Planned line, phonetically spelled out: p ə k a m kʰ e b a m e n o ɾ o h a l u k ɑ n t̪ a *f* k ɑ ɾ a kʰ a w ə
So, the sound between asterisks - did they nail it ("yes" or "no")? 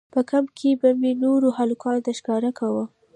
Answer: no